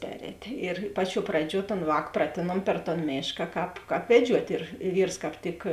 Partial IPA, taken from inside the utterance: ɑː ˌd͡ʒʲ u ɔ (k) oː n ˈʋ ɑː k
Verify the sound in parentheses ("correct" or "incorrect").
incorrect